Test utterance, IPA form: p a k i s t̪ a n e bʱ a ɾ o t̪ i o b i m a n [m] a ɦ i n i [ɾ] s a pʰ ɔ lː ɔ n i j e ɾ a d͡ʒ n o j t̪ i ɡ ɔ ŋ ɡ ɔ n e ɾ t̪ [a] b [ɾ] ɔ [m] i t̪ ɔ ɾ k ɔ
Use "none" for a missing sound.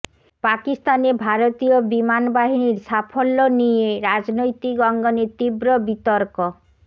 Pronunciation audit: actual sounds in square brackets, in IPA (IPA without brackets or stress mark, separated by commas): b, ɾ, i, ɾ, b